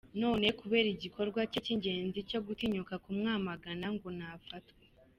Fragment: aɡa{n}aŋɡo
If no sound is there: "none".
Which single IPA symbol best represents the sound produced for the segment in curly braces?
n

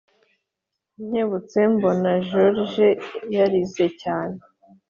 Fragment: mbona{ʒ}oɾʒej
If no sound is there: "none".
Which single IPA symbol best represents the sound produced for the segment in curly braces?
ʒ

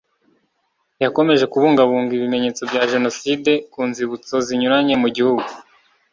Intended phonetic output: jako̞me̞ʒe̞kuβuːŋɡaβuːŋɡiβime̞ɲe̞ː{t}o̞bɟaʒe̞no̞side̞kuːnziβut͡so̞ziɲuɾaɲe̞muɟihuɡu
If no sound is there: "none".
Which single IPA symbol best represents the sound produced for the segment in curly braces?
t͡s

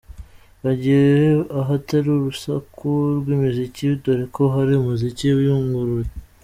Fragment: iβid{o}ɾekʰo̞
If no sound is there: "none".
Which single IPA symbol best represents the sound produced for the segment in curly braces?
o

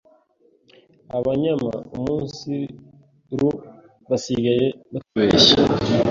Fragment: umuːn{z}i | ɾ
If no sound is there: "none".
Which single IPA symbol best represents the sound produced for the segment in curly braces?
s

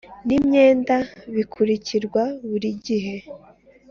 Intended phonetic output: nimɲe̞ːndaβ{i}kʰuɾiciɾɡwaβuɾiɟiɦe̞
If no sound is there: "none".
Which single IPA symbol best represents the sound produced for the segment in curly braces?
i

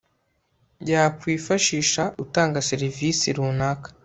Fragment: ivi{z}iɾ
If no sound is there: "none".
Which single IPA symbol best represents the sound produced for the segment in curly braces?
s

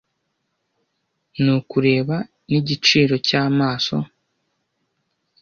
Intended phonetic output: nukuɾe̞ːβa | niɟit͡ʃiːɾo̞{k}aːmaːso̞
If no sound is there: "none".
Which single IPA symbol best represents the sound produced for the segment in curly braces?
c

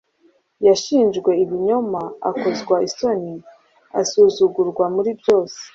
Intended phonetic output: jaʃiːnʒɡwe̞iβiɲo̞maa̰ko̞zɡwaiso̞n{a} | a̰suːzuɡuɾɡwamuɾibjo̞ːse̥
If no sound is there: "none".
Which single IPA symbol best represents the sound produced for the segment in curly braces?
i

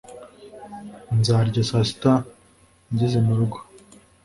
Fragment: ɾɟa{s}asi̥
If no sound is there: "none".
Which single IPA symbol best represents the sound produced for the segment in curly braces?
s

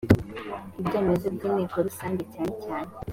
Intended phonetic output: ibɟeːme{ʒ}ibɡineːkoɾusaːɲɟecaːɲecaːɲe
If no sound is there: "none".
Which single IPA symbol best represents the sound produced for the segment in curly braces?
z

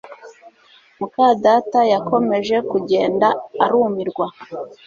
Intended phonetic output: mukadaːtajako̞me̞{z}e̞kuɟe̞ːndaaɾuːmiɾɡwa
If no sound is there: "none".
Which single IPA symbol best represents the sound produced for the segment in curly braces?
ʒ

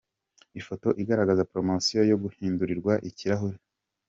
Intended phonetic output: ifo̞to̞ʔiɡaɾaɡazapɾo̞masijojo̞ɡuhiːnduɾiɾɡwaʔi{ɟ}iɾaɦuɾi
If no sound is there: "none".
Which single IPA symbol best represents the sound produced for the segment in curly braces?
c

